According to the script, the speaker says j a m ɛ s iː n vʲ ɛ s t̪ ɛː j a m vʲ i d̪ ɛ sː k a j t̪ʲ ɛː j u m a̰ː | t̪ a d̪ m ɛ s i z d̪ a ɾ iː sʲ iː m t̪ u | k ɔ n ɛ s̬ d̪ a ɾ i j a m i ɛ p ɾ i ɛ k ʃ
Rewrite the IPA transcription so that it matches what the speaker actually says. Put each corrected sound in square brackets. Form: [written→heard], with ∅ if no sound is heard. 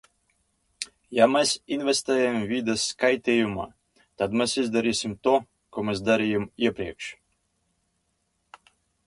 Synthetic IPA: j a m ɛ s [iː→i] n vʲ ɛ s t̪ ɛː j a m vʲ i d̪ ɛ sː k a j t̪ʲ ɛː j u m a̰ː | t̪ a d̪ m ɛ s i z d̪ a ɾ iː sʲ [iː→i] m t̪ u | k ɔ [n→m] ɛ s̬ d̪ a ɾ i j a m i ɛ p ɾ i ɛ k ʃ